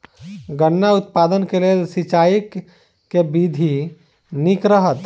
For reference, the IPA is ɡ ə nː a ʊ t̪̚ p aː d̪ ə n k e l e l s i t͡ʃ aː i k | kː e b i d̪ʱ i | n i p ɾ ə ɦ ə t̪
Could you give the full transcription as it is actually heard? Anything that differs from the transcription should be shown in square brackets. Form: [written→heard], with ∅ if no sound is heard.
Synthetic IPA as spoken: ɡ ə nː a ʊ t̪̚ p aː d̪ ə n k e l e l s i t͡ʃ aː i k | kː e b i d̪ʱ i | n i [p→k] ɾ ə ɦ ə t̪